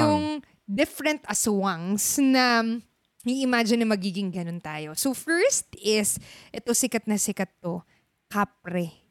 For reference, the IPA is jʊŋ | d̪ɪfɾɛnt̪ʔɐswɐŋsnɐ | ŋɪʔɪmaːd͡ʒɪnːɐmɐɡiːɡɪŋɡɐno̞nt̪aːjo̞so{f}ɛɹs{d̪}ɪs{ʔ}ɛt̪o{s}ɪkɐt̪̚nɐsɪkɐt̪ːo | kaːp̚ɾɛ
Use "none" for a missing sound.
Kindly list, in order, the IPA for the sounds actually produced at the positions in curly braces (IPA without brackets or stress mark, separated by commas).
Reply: f, t̪, ʔ, s